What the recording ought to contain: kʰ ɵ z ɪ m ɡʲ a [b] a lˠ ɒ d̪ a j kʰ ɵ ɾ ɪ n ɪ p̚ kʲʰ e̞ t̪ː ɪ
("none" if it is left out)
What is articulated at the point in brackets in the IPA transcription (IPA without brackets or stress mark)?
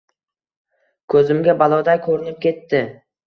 b